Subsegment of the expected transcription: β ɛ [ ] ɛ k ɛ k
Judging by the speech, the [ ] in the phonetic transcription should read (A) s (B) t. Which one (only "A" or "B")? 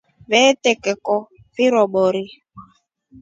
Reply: B